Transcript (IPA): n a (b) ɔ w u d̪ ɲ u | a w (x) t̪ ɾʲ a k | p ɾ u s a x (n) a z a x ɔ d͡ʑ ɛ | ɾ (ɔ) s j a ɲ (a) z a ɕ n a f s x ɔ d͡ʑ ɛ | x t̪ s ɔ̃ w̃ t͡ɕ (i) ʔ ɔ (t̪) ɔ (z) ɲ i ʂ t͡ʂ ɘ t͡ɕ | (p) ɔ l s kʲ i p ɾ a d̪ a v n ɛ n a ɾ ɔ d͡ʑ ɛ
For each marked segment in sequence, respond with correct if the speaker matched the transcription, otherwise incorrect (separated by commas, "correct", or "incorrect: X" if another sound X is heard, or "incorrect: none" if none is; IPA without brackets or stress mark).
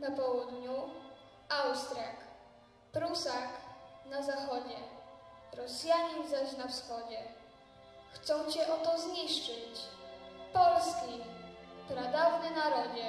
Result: incorrect: p, incorrect: s, correct, correct, incorrect: i, incorrect: ɛ, correct, correct, correct